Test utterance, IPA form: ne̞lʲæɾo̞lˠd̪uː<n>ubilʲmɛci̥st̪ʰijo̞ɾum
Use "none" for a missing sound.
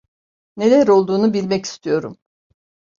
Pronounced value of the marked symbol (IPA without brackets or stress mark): n